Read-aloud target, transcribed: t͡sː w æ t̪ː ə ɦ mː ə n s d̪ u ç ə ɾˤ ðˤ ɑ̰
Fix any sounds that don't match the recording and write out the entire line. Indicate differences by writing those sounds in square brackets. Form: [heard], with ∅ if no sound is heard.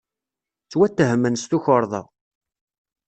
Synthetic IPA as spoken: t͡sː w æ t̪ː ə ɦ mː ə n s [t̪] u ç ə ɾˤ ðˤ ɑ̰